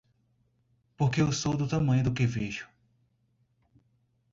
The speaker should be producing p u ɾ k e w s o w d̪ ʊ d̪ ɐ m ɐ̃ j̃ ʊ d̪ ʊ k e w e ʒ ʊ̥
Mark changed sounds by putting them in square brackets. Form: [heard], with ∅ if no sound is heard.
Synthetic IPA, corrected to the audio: p [o] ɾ k e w s o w d̪ ʊ [t̪] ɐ m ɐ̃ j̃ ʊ d̪ ʊ k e [v] e ʒ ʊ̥